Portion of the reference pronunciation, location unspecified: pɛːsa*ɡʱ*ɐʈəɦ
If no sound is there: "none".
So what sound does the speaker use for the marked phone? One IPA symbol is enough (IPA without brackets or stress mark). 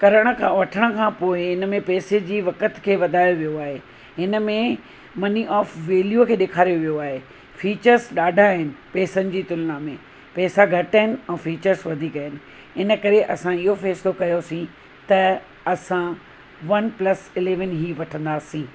ɡʱ